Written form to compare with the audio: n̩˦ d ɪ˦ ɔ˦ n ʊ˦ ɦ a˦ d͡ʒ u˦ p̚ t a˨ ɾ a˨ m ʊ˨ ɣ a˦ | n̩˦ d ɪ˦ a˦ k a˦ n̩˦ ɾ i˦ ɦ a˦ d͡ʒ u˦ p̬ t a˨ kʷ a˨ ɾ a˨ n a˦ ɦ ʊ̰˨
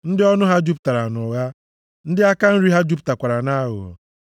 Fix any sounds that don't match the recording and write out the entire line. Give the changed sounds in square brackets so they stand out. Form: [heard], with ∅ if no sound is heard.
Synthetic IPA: n̩˦ d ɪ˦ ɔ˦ n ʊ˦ ɦ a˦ d͡ʒ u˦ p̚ t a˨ ɾ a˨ [n] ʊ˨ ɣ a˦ | n̩˦ d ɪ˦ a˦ k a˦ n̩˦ ɾ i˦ ɦ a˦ d͡ʒ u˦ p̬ t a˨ kʷ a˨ ɾ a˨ n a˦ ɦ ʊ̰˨